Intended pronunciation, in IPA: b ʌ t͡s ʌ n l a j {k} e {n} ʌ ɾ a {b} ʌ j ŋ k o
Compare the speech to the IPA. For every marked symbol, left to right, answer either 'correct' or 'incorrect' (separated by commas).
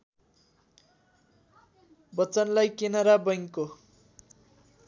correct, correct, correct